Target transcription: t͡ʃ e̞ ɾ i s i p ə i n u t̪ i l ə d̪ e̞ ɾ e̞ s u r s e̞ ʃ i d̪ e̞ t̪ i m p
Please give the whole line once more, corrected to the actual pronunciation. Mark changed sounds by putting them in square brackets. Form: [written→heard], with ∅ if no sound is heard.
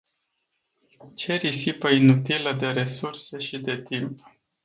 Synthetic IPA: t͡ʃ e̞ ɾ i s i p ə i n u t̪ i l ə d̪ e̞ ɾ e̞ s u r s e̞ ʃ i d̪ e̞ t̪ i m p